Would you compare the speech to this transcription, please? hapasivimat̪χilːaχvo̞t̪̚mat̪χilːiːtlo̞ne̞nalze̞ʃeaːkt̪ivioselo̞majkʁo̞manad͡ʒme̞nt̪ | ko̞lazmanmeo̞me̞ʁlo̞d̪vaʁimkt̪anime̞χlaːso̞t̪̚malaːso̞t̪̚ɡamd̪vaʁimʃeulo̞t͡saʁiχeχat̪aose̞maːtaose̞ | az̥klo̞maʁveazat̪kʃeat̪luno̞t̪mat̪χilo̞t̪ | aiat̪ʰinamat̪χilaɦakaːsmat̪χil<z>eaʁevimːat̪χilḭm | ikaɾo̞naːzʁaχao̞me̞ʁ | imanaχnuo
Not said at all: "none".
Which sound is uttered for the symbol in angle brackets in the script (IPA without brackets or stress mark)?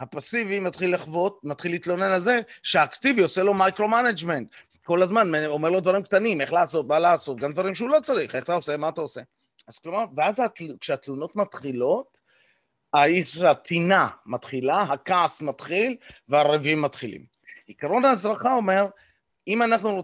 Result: v